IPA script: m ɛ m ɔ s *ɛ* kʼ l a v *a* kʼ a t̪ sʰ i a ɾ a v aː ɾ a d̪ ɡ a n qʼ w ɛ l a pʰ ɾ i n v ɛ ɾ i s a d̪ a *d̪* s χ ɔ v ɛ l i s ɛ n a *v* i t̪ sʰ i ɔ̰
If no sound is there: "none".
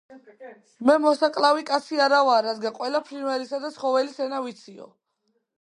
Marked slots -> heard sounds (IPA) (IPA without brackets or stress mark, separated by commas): a, i, t̪, v